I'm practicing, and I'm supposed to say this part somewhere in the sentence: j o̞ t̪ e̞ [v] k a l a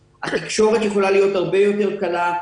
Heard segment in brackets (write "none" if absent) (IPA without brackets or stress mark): ʁ